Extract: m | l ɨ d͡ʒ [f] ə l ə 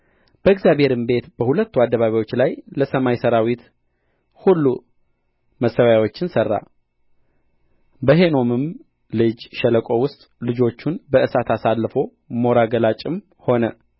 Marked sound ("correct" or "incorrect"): incorrect